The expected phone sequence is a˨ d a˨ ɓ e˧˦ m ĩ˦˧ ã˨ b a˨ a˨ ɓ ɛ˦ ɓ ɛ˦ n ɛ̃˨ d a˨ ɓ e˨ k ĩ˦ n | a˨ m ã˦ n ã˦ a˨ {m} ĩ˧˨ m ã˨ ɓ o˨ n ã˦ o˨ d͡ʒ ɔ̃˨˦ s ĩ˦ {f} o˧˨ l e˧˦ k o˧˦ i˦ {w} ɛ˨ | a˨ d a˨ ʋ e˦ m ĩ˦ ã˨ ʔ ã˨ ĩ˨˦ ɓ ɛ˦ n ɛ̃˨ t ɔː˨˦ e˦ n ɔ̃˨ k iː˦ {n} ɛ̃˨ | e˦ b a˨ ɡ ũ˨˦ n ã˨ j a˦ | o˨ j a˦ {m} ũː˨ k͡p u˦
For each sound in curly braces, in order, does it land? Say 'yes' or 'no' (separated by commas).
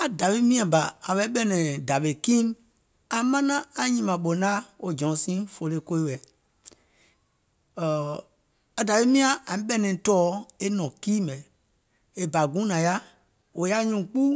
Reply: no, yes, yes, no, no